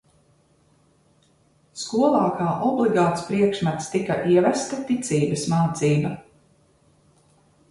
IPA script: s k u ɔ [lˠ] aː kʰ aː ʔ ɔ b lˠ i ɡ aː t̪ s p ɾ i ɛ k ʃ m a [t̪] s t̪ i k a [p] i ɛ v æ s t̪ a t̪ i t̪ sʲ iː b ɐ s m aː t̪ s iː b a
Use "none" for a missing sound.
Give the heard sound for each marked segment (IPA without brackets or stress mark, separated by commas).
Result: lˠ, t̪, ʔ